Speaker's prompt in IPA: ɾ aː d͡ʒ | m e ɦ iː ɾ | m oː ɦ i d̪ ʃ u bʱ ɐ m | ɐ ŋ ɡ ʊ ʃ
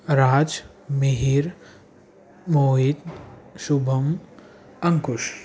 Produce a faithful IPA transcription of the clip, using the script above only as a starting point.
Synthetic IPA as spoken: ɾ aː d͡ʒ | m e ɦ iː ɾ | m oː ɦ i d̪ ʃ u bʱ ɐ m | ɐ ŋ k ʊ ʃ